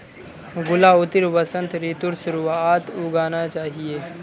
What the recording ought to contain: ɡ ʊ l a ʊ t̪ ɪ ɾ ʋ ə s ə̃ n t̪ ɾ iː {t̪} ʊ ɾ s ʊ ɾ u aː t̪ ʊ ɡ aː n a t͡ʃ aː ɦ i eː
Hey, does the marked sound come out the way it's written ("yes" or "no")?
yes